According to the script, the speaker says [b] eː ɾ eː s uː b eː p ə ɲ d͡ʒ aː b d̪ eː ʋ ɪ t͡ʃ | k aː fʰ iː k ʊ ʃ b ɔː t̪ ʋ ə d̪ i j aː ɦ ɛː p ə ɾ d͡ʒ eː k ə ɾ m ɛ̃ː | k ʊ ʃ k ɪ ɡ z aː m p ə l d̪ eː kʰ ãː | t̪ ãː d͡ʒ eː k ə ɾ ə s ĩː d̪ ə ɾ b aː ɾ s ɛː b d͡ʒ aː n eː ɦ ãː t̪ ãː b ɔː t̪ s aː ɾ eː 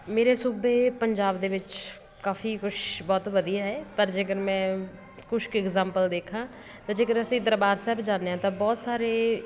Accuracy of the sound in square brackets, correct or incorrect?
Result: incorrect